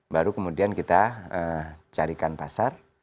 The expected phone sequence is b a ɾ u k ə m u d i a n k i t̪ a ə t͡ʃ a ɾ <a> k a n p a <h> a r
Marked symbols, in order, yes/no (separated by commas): no, no